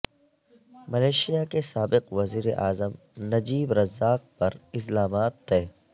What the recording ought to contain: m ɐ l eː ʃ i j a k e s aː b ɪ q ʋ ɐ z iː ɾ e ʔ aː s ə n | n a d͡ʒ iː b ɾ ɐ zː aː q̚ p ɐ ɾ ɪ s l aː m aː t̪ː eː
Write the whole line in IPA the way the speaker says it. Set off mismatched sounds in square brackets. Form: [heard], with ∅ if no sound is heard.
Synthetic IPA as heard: m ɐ l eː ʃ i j a k e s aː b ɪ q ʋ ɐ z iː ɾ e ʔ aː [z] ə [m] | n [ɐ] d͡ʒ iː b ɾ ɐ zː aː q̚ p ɐ ɾ ɪ s l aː m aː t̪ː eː